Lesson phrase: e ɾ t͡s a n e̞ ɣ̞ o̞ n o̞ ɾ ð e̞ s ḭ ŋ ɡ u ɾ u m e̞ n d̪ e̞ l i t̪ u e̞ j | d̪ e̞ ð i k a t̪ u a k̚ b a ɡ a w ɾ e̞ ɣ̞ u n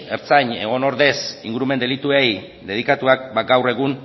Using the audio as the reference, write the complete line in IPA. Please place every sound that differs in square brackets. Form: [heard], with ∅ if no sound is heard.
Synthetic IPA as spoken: e ɾ t͡s a [ɲ] e̞ ɣ̞ o̞ n o̞ ɾ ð e̞ s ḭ ŋ ɡ u ɾ u m e̞ n d̪ e̞ l i t̪ u e̞ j | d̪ e̞ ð i k a t̪ u a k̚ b a ɡ a w [r] e̞ ɣ̞ u n